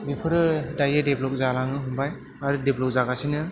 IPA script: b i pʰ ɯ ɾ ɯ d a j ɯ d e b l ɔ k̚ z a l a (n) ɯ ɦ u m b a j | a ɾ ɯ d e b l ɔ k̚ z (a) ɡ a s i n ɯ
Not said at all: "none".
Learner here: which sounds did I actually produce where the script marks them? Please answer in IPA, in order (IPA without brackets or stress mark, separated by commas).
ŋ, a